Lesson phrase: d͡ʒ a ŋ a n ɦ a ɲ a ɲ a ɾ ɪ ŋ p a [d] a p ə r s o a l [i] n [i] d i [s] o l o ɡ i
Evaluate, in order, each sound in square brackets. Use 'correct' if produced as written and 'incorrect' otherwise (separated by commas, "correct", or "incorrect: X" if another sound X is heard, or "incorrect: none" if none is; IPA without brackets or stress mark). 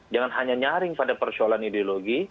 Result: correct, incorrect: a, correct, incorrect: none